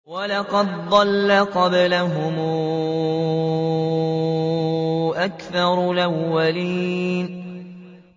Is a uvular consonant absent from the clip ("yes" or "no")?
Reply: no